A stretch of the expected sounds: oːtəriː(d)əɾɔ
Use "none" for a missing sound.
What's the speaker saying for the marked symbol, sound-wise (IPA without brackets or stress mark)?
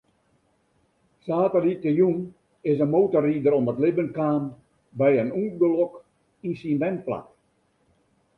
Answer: d